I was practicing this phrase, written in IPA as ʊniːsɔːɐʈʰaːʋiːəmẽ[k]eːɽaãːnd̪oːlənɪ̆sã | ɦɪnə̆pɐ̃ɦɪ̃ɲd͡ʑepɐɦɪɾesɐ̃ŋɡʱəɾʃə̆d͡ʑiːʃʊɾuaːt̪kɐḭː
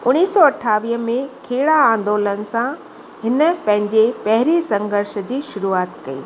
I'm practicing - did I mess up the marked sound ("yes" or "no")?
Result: yes